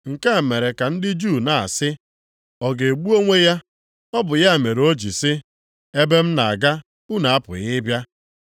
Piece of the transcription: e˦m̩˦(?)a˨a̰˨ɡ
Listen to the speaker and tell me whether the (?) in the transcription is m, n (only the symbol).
n